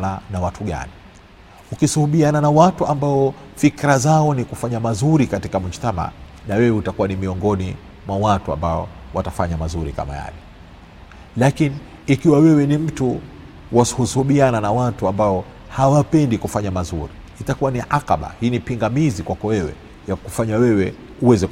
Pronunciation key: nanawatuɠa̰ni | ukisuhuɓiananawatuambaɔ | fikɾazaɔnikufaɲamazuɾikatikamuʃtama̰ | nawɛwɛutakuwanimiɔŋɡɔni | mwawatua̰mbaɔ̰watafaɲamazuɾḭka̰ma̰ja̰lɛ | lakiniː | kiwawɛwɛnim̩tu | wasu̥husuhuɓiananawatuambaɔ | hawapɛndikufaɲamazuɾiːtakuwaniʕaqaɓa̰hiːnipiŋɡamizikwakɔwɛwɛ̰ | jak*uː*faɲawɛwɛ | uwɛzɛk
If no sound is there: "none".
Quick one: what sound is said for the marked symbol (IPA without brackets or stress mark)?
u